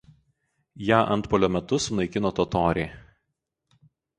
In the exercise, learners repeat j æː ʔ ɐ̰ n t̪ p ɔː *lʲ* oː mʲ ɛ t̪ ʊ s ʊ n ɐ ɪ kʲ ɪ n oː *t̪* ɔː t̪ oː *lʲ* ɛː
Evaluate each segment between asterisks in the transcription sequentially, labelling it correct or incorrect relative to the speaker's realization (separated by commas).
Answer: correct, correct, incorrect